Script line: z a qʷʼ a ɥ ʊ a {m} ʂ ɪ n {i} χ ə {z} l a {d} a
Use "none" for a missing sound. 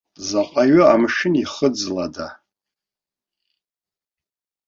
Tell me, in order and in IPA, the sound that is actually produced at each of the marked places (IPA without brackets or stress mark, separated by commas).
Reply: m, i, d͡z, d